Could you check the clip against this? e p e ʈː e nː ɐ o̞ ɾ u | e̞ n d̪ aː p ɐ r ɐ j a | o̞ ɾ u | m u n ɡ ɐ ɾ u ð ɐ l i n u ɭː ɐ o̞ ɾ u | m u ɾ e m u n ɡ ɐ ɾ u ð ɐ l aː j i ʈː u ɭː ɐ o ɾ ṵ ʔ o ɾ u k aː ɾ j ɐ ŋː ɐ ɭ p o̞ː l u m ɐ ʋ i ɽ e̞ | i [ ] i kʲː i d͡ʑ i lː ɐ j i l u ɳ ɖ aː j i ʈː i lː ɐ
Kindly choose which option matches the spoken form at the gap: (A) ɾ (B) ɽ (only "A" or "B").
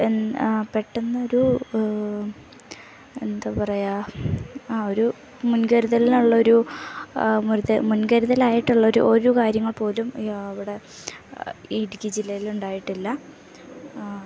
B